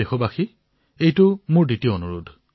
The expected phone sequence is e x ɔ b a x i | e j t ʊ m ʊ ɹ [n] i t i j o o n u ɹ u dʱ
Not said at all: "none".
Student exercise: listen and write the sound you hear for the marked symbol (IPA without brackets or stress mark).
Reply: d